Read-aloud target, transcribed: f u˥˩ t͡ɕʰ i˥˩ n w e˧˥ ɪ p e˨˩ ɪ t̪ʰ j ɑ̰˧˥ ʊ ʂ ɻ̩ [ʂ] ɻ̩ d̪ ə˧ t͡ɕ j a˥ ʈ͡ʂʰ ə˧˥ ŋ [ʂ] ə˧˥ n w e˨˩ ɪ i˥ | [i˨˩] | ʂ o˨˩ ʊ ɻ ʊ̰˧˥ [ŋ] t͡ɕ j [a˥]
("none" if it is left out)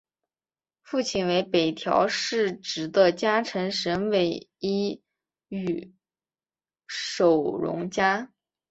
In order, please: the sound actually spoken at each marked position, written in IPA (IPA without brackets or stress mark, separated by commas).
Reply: ʈ͡ʂ, ʂ, y˨˩, ŋ, a˥